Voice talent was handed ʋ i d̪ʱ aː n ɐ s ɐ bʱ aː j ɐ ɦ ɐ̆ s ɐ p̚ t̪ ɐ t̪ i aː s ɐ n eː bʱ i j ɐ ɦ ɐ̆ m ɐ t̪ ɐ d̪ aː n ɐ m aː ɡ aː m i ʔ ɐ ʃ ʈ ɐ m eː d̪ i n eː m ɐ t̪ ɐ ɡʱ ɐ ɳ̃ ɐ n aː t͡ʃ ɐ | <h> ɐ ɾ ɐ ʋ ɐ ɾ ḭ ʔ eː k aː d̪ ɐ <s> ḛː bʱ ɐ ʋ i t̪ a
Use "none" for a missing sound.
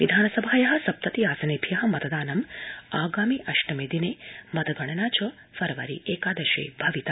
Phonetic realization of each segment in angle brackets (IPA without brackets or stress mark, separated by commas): f, ʃ